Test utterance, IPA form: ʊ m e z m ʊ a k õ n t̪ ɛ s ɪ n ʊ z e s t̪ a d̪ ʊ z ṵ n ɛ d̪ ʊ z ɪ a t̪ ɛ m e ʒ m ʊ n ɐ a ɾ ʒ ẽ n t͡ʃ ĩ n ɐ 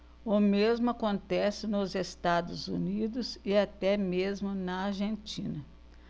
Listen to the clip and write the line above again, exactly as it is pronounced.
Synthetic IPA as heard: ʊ m e z m ʊ a k õ n t̪ ɛ s ɪ n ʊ z e s t̪ a d̪ ʊ z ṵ n i d̪ ʊ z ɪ a t̪ ɛ m e z m ʊ n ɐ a ɾ ʒ ẽ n t͡ʃ ĩ n ɐ